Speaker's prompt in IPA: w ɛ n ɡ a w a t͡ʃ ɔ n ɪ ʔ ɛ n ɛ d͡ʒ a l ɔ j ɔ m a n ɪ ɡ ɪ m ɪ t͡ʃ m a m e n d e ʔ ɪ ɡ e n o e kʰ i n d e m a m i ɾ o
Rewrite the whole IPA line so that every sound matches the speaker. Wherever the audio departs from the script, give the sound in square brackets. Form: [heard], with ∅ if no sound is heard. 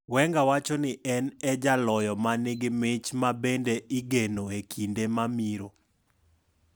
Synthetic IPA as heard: w ɛ [ŋ] ɡ a w a t͡ʃ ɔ n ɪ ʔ ɛ n ɛ d͡ʒ a l ɔ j ɔ m a n ɪ ɡ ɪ m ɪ t͡ʃ m a [b] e n d e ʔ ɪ ɡ e n o e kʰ i n d e m a m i ɾ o